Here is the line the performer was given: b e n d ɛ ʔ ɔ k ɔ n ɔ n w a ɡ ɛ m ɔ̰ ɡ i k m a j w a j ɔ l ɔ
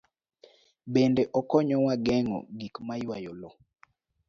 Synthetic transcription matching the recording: b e n d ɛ ʔ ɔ k ɔ ɲ ɔ w a ɡ ɛ ŋ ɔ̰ ɡ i k m a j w a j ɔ l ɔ

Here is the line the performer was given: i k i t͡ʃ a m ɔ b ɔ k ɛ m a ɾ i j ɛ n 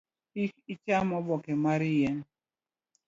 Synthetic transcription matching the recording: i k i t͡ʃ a m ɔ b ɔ k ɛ m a ɾ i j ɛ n

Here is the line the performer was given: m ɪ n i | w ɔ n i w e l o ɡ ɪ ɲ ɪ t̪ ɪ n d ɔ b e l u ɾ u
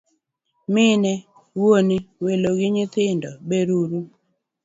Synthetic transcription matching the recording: m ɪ n ɛ | w o n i w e l o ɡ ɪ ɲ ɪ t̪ ɪ n d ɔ b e ɾ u ɾ u

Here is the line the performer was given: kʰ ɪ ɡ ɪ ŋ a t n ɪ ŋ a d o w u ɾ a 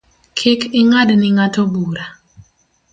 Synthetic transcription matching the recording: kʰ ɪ k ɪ ŋ a d n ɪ ŋ a t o b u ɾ a

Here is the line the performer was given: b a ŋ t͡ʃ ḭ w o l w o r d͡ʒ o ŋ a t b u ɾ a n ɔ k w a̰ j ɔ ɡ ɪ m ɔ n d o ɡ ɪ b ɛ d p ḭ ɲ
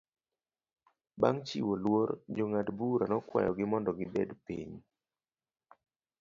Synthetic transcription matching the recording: b a ŋ t͡ʃ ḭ w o l w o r d͡ʒ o ŋ a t b u ɾ a n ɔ k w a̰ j ɔ ɡ ɪ m ɔ n d ɔ ɡ ɪ b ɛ d p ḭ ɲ

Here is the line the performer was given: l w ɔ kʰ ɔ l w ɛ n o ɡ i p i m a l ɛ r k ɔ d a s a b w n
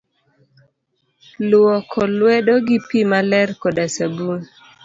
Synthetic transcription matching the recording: l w ɔ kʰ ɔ l w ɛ d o ɡ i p i m a l ɛ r k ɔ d a s a b u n

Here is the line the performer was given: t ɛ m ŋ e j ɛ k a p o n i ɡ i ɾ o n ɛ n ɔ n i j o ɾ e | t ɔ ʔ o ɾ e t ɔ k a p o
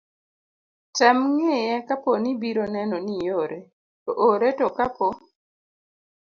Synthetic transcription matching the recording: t ɛ m ŋ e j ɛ k a p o n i b i ɾ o n ɛ n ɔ n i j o ɾ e | t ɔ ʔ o ɾ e t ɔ k a p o

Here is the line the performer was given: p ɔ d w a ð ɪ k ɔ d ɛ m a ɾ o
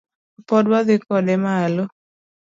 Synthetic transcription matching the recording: p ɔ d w a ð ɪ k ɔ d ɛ m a l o

